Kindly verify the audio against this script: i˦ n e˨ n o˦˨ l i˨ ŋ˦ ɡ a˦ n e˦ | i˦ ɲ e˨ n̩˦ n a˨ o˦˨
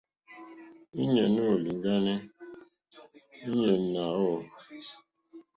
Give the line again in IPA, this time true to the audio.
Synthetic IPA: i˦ ɲ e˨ n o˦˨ l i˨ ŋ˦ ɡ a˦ n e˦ | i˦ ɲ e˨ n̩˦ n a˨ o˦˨